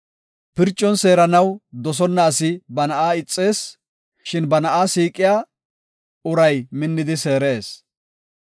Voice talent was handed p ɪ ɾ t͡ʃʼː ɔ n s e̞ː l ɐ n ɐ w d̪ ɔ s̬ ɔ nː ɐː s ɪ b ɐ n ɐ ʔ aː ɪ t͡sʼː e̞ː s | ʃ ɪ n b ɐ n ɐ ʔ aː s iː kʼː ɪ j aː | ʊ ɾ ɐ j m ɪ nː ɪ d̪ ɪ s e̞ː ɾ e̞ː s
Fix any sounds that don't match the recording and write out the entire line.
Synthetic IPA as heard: p ɪ ɾ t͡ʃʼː ɔ n s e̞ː ɾ ɐ n ɐ w d̪ ɔ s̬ ɔ nː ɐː s ɪ b ɐ n ɐ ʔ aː ɪ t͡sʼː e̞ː s | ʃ ɪ n b ɐ n ɐ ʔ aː s iː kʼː ɪ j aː | ʊ ɾ ɐ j m ɪ nː ɪ d̪ ɪ s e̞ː ɾ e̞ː s